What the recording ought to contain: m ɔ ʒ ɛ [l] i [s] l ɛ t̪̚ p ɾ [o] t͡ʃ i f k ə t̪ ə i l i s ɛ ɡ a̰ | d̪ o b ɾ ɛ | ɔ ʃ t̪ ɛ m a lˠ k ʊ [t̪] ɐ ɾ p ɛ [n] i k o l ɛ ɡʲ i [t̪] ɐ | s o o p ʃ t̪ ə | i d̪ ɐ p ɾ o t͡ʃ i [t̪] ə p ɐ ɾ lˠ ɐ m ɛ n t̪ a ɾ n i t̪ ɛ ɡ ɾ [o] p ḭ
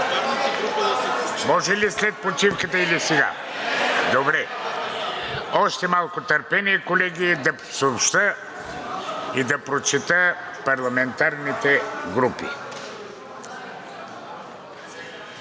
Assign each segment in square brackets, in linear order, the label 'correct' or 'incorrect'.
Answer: correct, correct, correct, correct, correct, incorrect, correct, incorrect

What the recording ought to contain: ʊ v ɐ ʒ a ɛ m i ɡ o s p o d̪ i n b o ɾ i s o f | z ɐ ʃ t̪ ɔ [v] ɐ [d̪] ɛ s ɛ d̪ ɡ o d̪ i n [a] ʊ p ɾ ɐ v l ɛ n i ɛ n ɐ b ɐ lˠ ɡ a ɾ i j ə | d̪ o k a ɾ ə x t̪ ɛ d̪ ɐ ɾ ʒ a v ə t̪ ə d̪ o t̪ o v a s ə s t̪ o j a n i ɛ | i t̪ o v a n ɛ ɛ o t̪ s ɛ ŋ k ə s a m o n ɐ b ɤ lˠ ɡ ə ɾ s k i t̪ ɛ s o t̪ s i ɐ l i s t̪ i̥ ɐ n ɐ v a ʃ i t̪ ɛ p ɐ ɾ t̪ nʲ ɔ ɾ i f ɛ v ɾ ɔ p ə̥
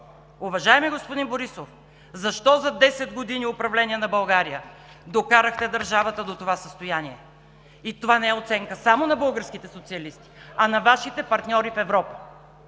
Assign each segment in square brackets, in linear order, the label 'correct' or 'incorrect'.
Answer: incorrect, correct, incorrect

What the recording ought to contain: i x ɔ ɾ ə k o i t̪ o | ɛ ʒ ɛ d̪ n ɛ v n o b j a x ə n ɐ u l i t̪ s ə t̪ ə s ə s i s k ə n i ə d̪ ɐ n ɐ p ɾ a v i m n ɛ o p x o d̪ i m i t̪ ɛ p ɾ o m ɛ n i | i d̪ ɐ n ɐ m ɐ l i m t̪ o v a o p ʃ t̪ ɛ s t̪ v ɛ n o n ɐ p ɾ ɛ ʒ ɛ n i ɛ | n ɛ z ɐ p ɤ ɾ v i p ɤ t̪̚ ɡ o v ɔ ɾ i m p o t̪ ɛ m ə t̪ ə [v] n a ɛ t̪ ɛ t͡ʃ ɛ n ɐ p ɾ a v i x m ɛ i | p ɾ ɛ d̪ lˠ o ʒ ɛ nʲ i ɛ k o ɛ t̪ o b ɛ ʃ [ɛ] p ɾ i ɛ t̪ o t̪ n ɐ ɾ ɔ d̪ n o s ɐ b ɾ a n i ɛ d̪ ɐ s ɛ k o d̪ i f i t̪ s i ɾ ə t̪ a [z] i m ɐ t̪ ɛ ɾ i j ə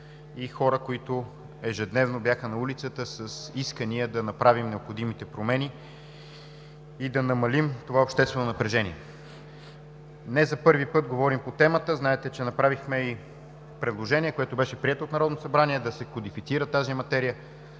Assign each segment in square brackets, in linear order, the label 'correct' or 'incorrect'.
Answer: incorrect, correct, correct

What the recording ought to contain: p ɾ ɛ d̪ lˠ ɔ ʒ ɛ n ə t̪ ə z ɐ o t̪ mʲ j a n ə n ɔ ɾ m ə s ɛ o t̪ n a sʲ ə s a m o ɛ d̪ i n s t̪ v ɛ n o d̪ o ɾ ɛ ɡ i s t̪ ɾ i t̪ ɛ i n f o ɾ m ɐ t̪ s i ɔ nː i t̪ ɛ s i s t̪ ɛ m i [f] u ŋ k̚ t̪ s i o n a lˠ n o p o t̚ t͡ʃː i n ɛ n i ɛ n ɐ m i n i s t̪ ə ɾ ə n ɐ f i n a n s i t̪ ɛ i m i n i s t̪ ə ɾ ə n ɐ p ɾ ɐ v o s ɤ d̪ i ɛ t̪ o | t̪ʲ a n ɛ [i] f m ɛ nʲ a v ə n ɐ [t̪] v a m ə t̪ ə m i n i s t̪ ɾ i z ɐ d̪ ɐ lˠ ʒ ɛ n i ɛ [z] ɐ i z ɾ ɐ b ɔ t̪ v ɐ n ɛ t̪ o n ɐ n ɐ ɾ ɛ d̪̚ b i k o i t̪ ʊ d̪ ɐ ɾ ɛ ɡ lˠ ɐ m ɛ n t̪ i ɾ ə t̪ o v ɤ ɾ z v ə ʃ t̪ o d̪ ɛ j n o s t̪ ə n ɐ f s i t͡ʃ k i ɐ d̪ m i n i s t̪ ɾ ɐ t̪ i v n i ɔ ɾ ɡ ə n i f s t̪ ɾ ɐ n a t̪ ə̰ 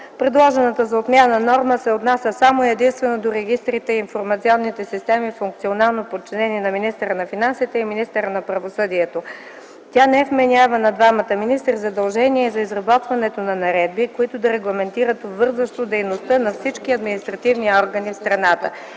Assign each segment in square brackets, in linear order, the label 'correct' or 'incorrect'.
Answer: correct, incorrect, incorrect, correct

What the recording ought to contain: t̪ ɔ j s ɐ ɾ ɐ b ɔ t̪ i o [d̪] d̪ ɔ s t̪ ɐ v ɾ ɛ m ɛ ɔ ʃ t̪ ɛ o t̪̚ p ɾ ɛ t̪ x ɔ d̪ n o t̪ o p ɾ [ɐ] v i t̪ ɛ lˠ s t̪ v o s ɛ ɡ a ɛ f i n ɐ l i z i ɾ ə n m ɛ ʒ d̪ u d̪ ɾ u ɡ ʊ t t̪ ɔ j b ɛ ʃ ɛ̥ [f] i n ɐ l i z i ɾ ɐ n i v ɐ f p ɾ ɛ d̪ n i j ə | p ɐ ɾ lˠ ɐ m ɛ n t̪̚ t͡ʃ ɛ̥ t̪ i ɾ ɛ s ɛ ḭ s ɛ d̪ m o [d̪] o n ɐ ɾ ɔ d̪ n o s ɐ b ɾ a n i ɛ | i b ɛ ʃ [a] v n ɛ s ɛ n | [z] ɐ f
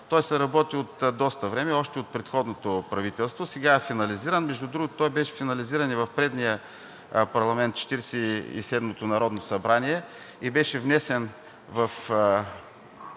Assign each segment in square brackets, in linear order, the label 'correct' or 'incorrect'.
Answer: incorrect, correct, correct, incorrect, incorrect, incorrect

